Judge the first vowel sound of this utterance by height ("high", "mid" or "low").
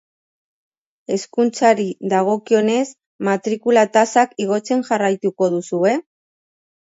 mid